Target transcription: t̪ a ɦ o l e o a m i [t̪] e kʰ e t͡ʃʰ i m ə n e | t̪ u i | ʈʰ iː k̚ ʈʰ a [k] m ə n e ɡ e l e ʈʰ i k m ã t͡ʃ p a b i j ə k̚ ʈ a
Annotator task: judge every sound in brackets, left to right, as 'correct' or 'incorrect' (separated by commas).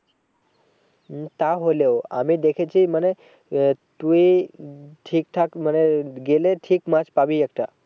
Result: incorrect, correct